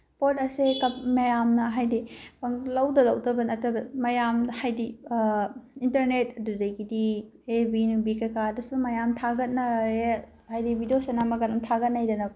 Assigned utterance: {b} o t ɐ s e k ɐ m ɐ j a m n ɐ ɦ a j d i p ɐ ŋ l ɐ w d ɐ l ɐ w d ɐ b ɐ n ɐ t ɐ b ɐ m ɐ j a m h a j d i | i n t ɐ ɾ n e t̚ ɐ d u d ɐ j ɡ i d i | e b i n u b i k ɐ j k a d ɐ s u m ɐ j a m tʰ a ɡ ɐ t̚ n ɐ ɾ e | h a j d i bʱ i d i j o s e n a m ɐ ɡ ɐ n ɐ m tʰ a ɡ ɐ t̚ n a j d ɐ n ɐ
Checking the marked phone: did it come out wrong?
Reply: yes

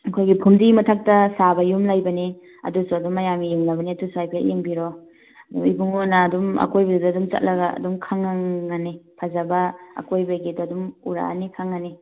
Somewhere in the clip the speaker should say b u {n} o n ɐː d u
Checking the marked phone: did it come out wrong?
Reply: yes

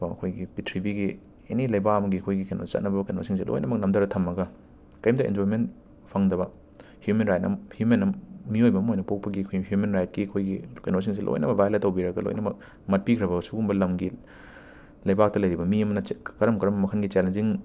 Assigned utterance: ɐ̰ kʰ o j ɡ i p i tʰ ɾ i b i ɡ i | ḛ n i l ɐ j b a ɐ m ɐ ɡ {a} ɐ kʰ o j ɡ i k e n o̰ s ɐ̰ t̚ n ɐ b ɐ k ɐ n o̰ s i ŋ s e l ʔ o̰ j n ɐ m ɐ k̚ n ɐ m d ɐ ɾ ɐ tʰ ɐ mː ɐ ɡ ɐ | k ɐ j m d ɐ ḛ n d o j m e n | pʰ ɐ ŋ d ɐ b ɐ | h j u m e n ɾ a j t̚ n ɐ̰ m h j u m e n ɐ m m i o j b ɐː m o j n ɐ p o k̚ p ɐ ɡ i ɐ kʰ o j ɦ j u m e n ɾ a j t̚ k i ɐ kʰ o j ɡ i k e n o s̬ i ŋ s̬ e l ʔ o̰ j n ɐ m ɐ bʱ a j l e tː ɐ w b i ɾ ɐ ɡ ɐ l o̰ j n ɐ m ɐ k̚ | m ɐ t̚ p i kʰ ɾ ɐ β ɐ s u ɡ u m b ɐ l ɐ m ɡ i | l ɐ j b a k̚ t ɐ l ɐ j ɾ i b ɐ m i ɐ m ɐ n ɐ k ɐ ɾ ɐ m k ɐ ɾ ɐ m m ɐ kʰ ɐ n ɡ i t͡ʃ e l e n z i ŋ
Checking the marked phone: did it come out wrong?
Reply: yes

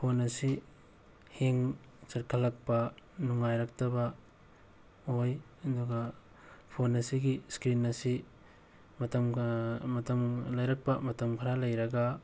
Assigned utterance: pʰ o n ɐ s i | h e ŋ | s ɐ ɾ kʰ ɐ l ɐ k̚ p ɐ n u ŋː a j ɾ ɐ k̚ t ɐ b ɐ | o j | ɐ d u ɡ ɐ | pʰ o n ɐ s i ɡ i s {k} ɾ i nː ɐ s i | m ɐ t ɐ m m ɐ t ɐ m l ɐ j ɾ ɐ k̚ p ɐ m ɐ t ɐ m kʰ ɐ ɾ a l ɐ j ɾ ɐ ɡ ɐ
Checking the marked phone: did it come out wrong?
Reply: no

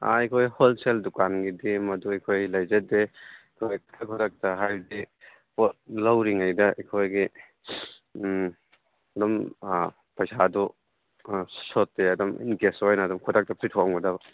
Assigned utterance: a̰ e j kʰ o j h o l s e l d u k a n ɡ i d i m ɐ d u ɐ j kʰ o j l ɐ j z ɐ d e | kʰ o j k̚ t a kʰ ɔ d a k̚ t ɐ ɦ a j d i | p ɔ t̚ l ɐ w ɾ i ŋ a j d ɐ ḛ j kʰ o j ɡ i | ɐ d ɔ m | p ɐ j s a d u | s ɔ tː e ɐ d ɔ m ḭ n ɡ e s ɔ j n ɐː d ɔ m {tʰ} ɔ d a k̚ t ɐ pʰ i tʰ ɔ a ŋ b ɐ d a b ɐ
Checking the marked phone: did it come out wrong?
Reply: yes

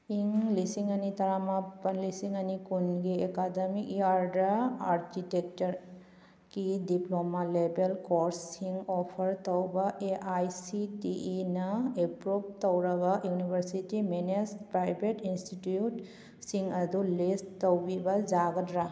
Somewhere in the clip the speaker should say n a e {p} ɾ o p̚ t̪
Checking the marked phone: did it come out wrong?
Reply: no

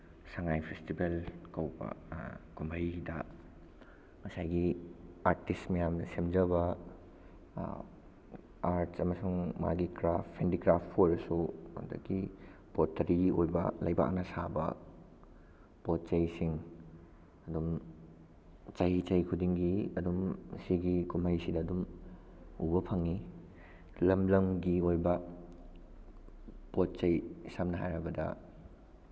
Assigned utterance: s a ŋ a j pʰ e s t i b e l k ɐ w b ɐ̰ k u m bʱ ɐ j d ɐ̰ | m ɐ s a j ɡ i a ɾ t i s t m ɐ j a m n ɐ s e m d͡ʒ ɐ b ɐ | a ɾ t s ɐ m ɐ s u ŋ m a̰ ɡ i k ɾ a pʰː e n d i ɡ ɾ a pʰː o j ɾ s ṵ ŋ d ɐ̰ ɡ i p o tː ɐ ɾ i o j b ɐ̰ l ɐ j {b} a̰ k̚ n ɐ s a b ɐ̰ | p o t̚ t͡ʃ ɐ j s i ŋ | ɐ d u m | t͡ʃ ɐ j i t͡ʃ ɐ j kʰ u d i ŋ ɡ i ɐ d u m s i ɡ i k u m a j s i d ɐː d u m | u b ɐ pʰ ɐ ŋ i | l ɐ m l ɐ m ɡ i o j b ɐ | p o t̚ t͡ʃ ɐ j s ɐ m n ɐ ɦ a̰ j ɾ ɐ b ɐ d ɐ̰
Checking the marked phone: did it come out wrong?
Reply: no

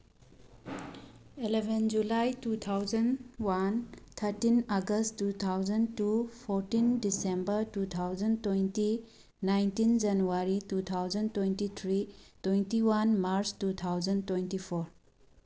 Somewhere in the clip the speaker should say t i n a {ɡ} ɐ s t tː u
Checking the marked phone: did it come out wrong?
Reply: no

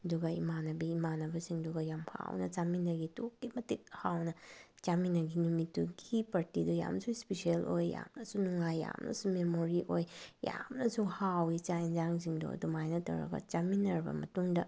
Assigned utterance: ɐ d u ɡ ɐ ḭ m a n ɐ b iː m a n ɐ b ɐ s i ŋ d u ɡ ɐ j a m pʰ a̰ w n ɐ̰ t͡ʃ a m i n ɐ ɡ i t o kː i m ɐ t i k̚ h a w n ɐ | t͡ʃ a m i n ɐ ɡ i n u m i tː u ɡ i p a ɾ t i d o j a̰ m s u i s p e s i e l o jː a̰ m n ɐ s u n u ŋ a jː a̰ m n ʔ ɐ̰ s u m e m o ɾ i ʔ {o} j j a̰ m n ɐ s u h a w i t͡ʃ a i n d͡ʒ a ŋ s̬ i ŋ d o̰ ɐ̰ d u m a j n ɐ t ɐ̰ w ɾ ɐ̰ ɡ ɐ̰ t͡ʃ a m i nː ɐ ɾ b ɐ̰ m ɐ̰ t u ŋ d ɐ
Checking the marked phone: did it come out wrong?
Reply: no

